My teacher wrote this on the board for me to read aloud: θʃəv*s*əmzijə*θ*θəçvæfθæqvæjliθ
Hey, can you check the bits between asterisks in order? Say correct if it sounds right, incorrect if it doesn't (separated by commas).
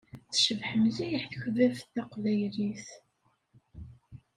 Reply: incorrect, incorrect